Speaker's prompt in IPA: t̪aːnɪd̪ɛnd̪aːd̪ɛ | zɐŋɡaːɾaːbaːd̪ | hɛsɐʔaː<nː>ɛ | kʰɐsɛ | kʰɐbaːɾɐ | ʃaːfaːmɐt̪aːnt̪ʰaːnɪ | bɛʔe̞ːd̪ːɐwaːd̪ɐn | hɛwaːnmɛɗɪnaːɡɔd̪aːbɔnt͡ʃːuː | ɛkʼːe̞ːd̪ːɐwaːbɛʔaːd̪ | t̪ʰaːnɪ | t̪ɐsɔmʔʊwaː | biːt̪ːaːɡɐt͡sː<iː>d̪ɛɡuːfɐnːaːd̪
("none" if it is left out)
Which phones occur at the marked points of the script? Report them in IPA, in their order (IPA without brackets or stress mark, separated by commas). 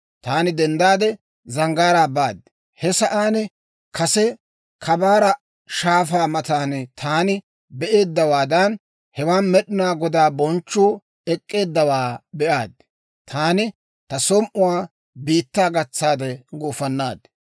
n, aː